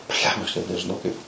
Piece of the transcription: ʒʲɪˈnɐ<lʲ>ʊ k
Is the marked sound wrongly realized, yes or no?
yes